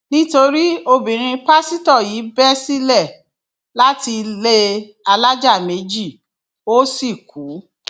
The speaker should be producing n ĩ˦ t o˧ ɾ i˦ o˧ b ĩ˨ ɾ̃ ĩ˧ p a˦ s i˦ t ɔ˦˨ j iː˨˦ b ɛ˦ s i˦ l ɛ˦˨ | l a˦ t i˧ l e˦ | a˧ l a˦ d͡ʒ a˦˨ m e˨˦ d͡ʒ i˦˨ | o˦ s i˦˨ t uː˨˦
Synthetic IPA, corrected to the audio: n ĩ˦ t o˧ ɾ i˦ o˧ b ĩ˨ ɾ̃ ĩ˧ p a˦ s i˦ t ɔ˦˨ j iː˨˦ b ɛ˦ s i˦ l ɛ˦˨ | l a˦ t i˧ l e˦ | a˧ l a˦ d͡ʒ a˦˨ m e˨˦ d͡ʒ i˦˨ | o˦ s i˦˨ k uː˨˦

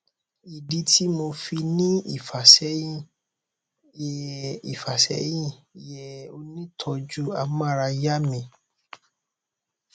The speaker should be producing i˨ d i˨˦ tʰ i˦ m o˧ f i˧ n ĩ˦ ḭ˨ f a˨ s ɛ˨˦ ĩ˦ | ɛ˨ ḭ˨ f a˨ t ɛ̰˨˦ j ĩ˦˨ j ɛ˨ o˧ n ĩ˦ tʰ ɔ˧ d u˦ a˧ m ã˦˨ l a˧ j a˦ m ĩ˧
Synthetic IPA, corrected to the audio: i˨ d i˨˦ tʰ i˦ m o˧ f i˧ n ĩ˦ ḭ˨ f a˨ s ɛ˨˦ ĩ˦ | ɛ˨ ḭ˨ f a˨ s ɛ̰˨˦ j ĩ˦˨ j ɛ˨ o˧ n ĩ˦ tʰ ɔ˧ d͡ʒ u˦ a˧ m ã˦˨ ɾ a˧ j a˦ m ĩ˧

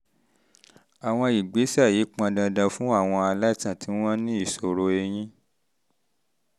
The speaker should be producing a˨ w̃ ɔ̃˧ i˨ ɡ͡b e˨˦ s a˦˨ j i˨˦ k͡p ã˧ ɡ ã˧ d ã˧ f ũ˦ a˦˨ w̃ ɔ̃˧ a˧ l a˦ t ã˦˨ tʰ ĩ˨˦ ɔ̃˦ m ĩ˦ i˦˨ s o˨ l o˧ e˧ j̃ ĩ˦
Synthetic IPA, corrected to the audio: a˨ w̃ ɔ̃˧ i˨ ɡ͡b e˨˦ s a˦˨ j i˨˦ k͡p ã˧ d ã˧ d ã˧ f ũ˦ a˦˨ w̃ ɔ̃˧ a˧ l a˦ t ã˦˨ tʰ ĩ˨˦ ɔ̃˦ n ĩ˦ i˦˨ s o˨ ɾ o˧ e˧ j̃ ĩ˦

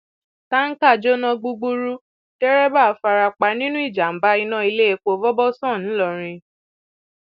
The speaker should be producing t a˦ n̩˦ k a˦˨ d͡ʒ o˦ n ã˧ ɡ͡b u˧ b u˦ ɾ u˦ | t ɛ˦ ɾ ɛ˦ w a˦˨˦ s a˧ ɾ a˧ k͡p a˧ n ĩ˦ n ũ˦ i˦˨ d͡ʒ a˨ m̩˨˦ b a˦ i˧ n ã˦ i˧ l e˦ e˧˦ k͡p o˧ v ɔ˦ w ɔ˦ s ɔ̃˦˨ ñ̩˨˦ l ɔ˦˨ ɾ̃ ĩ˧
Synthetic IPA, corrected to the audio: t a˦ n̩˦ k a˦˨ d͡ʒ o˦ n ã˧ ɡ͡b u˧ ɡ͡b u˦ ɾ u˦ | t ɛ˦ ɾ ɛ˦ b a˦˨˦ f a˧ ɾ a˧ k͡p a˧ n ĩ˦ n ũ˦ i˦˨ d͡ʒ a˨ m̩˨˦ b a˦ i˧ n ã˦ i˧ l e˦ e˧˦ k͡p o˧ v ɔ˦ b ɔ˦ s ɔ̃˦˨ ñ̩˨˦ l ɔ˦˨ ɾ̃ ĩ˧

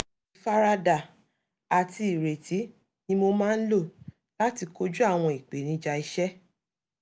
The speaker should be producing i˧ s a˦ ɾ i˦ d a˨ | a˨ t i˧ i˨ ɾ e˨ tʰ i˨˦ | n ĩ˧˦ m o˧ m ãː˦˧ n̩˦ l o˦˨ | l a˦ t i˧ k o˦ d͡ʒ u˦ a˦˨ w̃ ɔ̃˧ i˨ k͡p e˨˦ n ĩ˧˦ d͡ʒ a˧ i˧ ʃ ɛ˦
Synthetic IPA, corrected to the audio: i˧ f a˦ ɾ a˦ d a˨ | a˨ t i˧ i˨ ɾ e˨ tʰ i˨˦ | n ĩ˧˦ m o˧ m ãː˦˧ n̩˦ l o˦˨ | l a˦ t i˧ k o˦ d͡ʒ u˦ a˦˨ w̃ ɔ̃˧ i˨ k͡p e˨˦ n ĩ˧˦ d͡ʒ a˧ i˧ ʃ ɛ˦

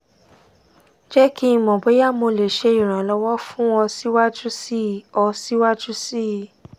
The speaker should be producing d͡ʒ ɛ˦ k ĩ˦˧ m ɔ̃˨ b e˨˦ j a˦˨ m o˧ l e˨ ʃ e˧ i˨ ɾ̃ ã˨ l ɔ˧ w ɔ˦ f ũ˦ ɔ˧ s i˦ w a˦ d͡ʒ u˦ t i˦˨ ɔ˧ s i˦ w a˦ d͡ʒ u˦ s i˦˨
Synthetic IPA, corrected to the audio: d͡ʒ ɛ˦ k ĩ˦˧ m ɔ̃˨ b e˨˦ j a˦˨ m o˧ l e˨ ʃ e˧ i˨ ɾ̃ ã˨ l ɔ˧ w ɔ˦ f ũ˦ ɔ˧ s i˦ w a˦ d͡ʒ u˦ s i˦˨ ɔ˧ s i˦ w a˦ d͡ʒ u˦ s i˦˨

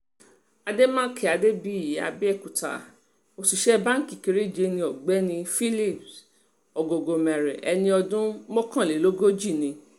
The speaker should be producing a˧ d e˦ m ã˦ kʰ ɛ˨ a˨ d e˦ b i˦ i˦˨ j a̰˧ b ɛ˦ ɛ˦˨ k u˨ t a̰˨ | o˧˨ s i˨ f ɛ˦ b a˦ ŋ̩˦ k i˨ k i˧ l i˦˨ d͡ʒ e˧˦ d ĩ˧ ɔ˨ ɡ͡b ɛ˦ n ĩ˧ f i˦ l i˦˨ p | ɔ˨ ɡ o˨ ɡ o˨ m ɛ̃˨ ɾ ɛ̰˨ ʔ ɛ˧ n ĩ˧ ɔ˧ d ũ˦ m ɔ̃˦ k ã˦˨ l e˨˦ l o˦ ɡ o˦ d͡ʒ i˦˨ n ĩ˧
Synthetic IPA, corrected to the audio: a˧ d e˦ m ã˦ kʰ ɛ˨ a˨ d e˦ b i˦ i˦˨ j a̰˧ b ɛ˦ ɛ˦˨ k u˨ t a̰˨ | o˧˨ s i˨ ʃ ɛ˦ b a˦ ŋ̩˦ k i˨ k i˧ ɾ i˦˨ d͡ʒ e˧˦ n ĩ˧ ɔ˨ ɡ͡b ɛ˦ n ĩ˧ f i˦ l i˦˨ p | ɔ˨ ɡ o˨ ɡ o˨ m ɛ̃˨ ɾ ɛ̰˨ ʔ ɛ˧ n ĩ˧ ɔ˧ d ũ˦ m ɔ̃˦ k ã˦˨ l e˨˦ l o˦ ɡ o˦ d͡ʒ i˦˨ n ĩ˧

